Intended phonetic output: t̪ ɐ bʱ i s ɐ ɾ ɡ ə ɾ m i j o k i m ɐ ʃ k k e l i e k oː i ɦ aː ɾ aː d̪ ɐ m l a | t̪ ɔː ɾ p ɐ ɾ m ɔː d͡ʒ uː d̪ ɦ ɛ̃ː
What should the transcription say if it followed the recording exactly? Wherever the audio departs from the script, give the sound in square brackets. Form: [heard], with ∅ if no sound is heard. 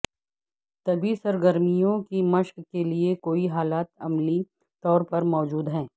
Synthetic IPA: t̪ ɐ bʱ i s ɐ ɾ ɡ ə ɾ m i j [õ] k i m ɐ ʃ k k e l i e k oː i ɦ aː [l] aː [t̪] ɐ m l [i] | t̪ ɔː ɾ p ɐ ɾ m ɔː d͡ʒ uː d̪ ɦ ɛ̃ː

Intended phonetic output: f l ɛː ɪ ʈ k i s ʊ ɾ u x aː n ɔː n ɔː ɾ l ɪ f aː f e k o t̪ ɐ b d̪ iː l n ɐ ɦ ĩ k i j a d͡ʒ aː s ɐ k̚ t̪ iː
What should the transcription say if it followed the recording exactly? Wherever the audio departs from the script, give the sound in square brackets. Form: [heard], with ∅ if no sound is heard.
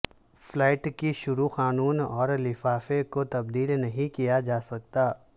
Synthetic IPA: f l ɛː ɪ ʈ k i [ʃ] ʊ ɾ u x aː n [uː] n ɔː ɾ l ɪ f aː f e k o t̪ ɐ b d̪ iː l n ɐ ɦ ĩ k i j a d͡ʒ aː s ɐ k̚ t̪ [aː]

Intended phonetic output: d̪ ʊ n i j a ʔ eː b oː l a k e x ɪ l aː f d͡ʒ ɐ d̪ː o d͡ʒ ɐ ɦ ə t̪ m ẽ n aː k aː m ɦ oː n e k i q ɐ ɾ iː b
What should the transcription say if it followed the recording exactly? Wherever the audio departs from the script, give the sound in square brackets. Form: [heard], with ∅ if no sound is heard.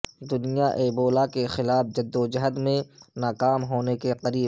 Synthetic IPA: d̪ ʊ n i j a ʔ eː b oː l a k e x ɪ l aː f d͡ʒ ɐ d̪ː o d͡ʒ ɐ ɦ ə [d̪] m ẽ n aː k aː m ɦ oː n e k [e] q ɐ ɾ iː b

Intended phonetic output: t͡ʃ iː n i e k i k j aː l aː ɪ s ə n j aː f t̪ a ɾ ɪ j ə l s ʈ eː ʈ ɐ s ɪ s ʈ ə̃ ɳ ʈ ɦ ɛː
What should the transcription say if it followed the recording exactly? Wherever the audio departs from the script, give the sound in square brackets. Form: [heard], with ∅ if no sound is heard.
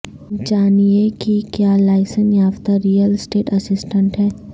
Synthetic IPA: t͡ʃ [aː] n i e k i k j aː l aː ɪ s ə n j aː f t̪ a ɾ [i] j ə l s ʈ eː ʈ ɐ s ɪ s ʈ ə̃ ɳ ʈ ɦ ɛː

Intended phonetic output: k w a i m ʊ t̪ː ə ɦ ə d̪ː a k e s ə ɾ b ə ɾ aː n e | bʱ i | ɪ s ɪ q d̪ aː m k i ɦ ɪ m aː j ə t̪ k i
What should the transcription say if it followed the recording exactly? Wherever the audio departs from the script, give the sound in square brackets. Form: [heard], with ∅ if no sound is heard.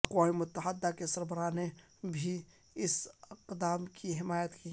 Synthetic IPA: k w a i m ʊ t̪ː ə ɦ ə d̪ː a k e s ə ɾ b ə ɾ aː n e | bʱ i | ɪ s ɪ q d̪ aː m k i ɦ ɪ m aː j ə t̪ k i

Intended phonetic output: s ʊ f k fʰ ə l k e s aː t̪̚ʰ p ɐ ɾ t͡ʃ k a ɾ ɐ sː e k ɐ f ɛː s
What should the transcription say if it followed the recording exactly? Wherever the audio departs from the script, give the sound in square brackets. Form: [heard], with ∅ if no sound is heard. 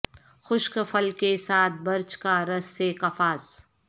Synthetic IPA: [x] ʊ [ʃ] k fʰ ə l k e s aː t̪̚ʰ [b] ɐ ɾ t͡ʃ k a ɾ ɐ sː e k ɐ f [aː] s

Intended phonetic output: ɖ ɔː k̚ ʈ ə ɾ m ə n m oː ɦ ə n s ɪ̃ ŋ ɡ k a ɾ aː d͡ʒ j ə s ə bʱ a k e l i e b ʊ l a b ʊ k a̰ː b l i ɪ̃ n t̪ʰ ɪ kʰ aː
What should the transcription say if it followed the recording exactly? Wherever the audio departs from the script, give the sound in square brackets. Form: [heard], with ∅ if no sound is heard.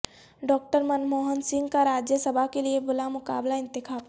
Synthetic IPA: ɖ ɔː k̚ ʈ ə ɾ m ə n m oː ɦ ə n s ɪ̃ ŋ ɡ k a ɾ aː d͡ʒ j ə s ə bʱ a k e l i e b ʊ l a [m] ʊ k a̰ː b l [a] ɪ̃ n [t̪] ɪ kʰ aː

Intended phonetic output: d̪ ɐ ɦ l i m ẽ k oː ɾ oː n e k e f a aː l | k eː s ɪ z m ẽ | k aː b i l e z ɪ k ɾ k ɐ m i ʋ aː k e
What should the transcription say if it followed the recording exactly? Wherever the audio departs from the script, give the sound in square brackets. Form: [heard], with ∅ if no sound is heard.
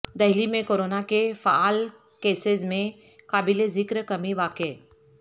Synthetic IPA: d̪ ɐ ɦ l i m ẽ k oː ɾ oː n [a] k e f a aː l | k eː s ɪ z m ẽ | k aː b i l e z ɪ k ɾ k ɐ m i ʋ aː k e

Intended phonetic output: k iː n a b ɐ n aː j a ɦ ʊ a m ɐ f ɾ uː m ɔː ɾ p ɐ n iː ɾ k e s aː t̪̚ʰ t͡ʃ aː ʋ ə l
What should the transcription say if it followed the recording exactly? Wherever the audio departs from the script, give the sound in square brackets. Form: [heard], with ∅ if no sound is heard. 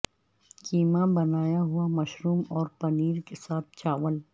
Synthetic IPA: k iː [m] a b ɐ n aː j a ɦ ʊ a m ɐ [ʃ] ɾ uː m ɔː ɾ p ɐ n iː ɾ k e s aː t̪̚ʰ t͡ʃ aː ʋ ə l

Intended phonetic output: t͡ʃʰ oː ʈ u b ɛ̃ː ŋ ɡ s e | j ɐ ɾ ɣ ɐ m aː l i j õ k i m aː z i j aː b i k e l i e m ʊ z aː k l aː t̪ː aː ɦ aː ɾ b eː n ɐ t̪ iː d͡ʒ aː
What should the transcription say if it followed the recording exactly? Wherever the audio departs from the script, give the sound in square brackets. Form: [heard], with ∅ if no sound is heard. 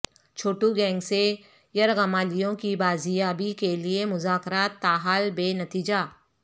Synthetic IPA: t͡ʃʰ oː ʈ u [ɡ] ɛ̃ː ŋ ɡ s e | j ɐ ɾ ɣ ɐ m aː l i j õ k i [b] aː z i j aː b i k e l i e m ʊ z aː k [ɾ] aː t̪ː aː ɦ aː [l] b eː n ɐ t̪ iː d͡ʒ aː

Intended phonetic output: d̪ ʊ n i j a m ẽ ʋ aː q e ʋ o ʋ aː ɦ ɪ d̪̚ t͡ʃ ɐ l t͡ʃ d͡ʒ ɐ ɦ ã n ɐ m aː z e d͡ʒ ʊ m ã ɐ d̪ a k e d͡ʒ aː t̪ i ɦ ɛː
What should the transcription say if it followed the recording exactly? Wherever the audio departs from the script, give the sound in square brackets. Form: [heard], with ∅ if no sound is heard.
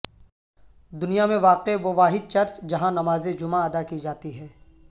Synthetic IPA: d̪ ʊ n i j a m ẽ ʋ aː q e ʋ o ʋ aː ɦ ɪ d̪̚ t͡ʃ ɐ [ɾ] t͡ʃ d͡ʒ ɐ ɦ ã n ɐ m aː z e d͡ʒ ʊ m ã ɐ d̪ a k [i] d͡ʒ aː t̪ i ɦ ɛː

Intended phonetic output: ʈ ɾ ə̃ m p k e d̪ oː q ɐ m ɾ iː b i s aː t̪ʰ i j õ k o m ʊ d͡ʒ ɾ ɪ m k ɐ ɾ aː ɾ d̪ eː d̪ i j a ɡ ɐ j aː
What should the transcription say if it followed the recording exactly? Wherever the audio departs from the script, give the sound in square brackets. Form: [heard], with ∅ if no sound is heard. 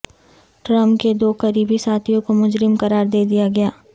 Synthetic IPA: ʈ ɾ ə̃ m p k e d̪ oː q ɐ [∅] ɾ iː b i s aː t̪ʰ i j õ k o m ʊ d͡ʒ ɾ ɪ m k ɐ ɾ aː ɾ d̪ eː d̪ i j a ɡ ɐ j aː

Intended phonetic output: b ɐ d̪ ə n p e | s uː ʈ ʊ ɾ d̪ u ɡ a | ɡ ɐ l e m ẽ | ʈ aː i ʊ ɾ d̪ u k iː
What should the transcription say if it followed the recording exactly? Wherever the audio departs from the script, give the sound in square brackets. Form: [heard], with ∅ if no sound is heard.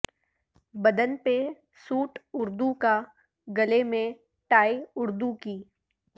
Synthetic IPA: b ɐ d̪ ə n p e | s uː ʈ ʊ ɾ d̪ u [k] a | ɡ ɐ l e m ẽ | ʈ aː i ʊ ɾ d̪ u k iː

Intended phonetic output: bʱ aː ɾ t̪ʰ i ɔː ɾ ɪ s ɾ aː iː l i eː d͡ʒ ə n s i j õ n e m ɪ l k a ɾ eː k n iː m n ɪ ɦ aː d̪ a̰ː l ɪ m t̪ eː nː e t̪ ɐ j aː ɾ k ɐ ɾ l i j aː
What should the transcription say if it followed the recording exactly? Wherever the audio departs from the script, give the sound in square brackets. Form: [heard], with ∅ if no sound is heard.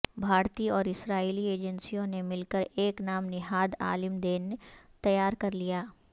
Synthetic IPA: bʱ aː ɾ [t̪] i ɔː ɾ ɪ s ɾ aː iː l i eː d͡ʒ ə n s i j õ n e m ɪ l k [ə] ɾ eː k n [aː] m n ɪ ɦ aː d̪ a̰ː l ɪ m [d̪] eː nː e t̪ ɐ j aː ɾ k ɐ ɾ l i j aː

